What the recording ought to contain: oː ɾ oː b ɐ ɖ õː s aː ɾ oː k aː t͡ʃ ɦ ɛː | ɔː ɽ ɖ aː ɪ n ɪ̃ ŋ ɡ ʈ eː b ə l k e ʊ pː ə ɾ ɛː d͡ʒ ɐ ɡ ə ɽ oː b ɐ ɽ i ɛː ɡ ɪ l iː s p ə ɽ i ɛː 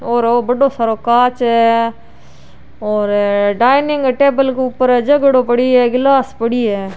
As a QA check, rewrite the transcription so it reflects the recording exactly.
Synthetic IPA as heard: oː ɾ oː b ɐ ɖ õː s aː ɾ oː k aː t͡ʃ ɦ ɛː | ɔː ɾ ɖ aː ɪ n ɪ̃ ŋ ɡ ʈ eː b ə l k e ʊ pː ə ɾ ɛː d͡ʒ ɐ ɡ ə ɽ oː p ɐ ɽ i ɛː ɡ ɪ l aː s p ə ɽ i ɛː